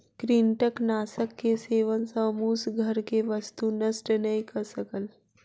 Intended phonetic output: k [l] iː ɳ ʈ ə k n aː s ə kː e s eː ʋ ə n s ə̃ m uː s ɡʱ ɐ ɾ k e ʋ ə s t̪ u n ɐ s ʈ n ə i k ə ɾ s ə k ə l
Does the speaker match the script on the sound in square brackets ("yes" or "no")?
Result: no